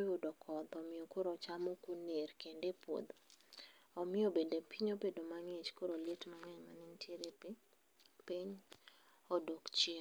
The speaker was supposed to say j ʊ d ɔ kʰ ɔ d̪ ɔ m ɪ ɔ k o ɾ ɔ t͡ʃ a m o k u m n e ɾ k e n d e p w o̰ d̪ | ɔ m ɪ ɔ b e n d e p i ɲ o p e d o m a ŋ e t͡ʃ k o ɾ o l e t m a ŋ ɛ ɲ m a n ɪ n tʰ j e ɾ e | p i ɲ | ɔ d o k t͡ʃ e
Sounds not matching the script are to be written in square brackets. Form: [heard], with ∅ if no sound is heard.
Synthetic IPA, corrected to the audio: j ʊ d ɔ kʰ ɔ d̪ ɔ m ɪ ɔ k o ɾ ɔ t͡ʃ a m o k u [∅] n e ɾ k e n d e p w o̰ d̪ | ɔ m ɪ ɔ b e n d e p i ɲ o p e d o m a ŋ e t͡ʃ k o ɾ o l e t m a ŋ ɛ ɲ m a n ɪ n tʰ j e ɾ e | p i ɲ | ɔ d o k t͡ʃ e